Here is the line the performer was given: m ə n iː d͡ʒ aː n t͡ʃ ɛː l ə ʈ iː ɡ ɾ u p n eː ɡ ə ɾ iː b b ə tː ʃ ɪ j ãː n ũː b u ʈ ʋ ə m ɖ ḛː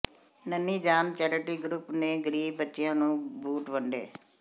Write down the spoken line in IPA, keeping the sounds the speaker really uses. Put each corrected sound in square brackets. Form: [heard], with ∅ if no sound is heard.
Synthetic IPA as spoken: [n] ə n iː d͡ʒ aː n t͡ʃ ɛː [ɾ] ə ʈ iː ɡ ɾ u p n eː ɡ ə ɾ iː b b ə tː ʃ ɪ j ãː n ũː b [uː] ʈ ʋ ə [ɳ] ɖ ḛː